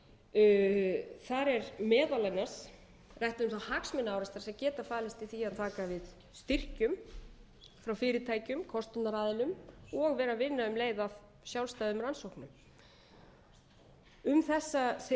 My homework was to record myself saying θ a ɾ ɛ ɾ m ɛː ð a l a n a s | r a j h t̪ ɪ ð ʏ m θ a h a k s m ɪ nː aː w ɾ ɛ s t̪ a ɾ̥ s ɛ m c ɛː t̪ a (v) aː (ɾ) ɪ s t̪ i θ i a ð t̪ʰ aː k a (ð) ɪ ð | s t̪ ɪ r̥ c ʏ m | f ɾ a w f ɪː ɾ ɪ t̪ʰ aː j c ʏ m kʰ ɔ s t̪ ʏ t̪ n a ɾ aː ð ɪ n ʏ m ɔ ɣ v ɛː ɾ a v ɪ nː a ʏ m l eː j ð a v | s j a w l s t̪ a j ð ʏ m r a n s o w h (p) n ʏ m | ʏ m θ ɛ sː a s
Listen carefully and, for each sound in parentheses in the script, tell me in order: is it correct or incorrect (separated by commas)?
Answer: incorrect, incorrect, incorrect, incorrect